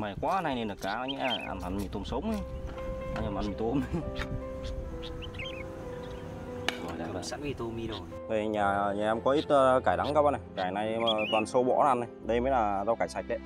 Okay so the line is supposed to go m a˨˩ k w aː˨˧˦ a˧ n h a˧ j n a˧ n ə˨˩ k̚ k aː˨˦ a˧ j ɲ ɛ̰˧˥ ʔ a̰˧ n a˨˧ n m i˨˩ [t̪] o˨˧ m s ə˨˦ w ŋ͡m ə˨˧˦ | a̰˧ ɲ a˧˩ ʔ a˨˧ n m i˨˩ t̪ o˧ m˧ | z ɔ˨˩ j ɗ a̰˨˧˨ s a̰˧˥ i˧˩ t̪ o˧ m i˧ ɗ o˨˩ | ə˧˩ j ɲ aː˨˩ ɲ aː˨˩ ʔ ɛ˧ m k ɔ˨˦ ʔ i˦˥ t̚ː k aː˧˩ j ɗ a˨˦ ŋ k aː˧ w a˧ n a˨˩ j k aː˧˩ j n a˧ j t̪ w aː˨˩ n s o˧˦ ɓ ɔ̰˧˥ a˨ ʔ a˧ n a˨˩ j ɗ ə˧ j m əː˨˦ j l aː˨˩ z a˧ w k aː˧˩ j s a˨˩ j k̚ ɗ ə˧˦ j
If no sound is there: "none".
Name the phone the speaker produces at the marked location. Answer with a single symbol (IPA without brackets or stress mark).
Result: t̪